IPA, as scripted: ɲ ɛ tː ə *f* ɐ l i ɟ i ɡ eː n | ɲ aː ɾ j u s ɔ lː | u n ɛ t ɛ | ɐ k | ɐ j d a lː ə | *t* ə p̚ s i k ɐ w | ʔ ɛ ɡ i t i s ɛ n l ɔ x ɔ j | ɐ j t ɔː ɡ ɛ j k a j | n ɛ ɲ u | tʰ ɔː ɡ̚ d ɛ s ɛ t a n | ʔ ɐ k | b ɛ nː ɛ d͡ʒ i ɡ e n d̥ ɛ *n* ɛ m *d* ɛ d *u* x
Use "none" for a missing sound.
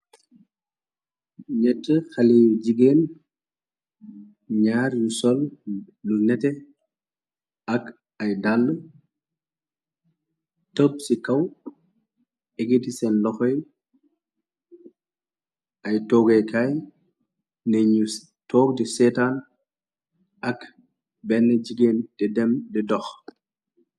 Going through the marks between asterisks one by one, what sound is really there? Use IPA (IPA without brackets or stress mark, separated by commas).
x, t, d, d, ɔ